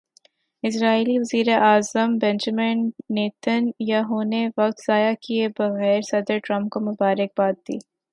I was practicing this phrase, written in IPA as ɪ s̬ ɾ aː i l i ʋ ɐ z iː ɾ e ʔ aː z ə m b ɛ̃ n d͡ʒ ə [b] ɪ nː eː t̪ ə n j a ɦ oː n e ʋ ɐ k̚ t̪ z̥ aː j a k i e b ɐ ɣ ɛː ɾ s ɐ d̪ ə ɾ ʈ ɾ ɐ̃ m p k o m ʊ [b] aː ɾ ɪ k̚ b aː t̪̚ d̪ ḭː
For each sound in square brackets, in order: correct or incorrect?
incorrect, correct

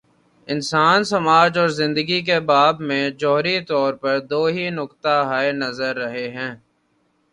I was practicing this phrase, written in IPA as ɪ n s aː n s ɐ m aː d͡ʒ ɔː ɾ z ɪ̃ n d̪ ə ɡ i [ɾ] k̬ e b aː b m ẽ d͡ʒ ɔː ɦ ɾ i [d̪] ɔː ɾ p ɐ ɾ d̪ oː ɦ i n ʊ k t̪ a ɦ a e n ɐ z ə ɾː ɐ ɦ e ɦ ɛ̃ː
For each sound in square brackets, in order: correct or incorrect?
incorrect, incorrect

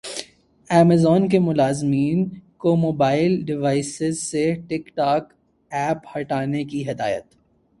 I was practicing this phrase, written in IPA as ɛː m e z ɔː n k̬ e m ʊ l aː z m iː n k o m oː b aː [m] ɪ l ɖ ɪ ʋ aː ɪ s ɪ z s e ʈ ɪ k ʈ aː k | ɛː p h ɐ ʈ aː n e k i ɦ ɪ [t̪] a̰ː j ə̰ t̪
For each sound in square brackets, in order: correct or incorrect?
incorrect, incorrect

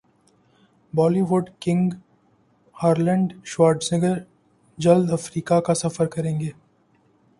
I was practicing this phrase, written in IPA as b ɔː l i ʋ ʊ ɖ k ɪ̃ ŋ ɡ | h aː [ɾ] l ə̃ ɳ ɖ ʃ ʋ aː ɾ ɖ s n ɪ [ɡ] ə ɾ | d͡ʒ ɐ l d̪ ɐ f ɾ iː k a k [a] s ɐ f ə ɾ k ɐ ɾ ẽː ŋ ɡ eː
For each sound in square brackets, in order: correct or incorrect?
correct, correct, correct

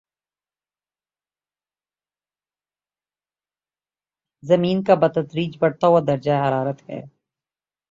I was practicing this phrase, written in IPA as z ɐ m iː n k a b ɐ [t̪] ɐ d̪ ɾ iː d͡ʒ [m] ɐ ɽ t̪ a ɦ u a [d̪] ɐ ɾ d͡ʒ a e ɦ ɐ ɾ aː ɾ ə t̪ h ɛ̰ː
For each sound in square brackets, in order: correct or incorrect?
correct, incorrect, correct

